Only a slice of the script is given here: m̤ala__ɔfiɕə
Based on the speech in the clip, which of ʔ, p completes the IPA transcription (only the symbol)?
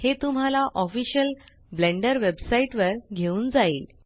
ʔ